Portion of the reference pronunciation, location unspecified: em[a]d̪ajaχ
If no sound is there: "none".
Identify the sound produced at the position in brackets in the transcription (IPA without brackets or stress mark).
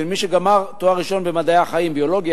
a